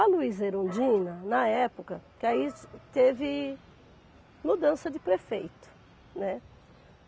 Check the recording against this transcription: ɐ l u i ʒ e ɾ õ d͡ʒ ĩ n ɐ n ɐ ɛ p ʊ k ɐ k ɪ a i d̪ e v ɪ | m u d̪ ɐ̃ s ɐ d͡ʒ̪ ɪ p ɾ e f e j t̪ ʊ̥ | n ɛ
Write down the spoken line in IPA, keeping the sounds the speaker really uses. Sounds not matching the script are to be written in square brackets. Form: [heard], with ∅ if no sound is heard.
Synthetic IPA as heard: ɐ l u i [z] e ɾ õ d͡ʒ ĩ n ɐ n ɐ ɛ p ʊ k ɐ k ɪ a i [t̪] e v ɪ | m u d̪ ɐ̃ s ɐ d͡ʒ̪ ɪ p ɾ e f e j t̪ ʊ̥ | n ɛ